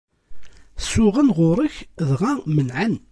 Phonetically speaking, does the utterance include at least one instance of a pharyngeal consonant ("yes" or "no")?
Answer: yes